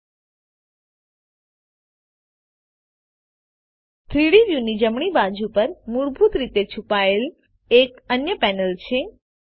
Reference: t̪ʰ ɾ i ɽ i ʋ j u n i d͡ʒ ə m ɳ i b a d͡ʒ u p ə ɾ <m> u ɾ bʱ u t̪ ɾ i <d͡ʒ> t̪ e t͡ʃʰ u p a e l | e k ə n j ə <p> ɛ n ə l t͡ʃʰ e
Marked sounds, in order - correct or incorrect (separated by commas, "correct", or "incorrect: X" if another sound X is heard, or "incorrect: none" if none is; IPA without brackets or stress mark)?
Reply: correct, incorrect: none, correct